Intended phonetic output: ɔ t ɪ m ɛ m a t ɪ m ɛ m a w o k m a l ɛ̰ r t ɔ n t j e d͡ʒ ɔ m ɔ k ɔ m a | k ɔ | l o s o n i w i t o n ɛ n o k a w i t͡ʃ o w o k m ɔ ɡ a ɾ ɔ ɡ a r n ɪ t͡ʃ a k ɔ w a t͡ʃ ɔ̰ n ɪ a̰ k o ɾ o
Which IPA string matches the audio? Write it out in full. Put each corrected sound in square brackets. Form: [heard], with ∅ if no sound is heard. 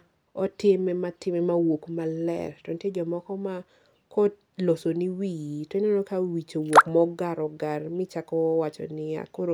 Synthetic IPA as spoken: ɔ t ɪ m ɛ m a t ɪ m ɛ m a w o k m a l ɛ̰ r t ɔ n t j e d͡ʒ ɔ m ɔ k ɔ m a | k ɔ | l o s o n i w i t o n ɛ n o k a w i t͡ʃ o w o k m ɔ ɡ a ɾ ɔ ɡ a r [m] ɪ t͡ʃ a k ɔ w a t͡ʃ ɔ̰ n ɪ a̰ k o ɾ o